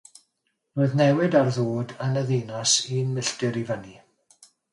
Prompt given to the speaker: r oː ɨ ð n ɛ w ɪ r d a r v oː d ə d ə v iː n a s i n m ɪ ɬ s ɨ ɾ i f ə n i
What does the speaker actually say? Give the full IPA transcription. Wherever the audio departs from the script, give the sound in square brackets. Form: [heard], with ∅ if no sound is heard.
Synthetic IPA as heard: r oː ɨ ð n ɛ w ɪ [∅] d a r [ð] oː d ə [n] ə [ð] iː n a s i n m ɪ ɬ [t] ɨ ɾ i [v] ə n i